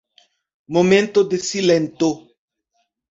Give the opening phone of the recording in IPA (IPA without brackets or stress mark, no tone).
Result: m